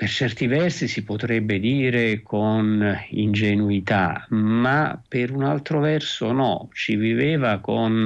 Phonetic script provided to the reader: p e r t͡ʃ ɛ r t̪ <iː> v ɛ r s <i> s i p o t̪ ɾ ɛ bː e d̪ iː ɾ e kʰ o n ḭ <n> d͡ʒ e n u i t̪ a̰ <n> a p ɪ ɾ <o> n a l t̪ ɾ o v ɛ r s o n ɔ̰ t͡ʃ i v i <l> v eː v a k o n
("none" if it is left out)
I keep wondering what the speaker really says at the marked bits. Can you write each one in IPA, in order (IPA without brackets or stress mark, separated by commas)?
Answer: i, i, n, m, u, none